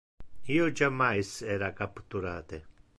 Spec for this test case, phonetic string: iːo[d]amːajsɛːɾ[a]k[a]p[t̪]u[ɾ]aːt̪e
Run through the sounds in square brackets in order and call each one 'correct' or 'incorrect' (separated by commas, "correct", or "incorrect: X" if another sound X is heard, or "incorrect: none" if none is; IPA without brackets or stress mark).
incorrect: d͡ʒ, correct, correct, correct, correct